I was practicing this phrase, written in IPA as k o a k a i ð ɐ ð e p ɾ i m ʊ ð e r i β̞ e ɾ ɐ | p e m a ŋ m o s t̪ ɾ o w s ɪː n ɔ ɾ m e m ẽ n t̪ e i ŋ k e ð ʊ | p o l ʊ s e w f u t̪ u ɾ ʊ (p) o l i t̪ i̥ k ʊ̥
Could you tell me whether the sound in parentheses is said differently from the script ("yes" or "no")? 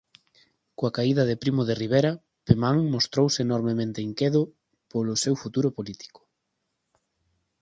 no